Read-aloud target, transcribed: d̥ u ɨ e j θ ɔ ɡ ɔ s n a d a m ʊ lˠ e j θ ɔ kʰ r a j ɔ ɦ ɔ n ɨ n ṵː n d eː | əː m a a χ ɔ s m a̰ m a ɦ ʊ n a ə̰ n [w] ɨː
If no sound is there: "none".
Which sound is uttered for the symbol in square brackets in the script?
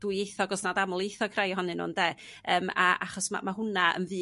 v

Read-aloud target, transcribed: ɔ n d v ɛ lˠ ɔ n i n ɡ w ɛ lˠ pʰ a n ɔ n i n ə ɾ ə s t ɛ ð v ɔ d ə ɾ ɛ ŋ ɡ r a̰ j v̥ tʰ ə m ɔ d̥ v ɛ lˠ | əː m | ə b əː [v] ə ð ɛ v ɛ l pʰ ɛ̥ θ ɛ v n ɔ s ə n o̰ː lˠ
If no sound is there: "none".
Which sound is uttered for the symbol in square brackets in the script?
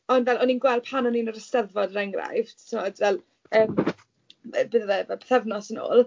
ð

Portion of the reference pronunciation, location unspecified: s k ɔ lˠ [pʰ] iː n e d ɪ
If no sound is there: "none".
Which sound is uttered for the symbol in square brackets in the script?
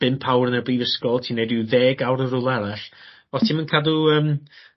tʰ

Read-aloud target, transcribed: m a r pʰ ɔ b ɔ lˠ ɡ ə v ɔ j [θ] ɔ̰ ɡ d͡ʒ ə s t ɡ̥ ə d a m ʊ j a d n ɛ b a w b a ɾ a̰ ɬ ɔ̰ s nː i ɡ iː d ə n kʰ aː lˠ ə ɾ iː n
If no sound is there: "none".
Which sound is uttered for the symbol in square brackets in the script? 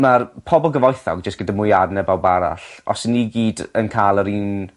θ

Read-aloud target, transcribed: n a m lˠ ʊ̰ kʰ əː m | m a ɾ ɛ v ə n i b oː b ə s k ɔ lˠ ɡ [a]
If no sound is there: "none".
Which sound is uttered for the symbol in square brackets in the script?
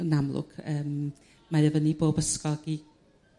i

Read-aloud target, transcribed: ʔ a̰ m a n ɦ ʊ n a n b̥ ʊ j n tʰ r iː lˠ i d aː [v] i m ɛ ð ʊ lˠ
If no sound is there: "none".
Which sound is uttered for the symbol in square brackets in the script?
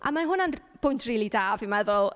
v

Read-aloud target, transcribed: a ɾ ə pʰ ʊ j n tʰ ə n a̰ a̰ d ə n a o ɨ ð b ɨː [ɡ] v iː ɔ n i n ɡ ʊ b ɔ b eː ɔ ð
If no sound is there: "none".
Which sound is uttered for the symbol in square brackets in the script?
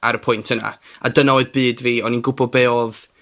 d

